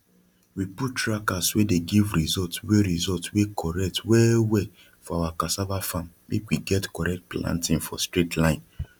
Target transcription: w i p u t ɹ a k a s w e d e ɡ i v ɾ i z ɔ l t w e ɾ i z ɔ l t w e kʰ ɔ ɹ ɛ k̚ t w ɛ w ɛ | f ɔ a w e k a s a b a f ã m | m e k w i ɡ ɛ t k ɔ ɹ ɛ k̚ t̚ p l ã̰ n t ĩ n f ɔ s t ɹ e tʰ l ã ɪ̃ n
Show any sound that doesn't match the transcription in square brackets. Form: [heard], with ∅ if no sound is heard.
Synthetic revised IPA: w i p u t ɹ a k a s w e d e ɡ i v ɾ i z ɔ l t w e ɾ i z ɔ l t w e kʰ ɔ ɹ ɛ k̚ t w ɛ w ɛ | f ɔ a w [a] k a s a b a f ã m | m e k w i ɡ ɛ t k ɔ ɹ ɛ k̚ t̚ p l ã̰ n t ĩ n f ɔ s t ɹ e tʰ l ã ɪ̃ n